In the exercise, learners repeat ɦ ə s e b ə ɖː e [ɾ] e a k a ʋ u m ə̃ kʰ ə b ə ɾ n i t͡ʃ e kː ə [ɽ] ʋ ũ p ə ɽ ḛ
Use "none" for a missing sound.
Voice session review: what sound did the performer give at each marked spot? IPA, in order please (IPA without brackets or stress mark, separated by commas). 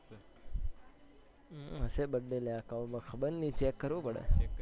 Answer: l, ɾ